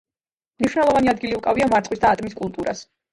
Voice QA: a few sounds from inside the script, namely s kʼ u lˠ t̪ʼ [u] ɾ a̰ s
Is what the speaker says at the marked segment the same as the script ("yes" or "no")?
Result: yes